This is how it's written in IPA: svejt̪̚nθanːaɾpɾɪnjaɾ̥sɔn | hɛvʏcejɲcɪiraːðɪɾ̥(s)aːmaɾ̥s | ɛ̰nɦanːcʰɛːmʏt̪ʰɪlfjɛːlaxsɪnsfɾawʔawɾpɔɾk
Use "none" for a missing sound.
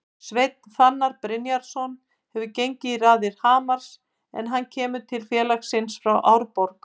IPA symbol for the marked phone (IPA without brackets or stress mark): h